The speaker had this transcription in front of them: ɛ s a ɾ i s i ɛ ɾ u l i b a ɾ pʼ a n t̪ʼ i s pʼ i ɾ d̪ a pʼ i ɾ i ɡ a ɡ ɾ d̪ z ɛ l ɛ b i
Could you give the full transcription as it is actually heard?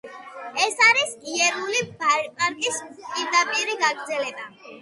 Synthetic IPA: ɛ s a ɾ i s i ɛ ɾ u l i b a ɾ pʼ a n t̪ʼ i s pʼ i ɾ d̪ a pʼ i ɾ i ɡ a ɡ ɾ d̪ z ɛ l ɛ b a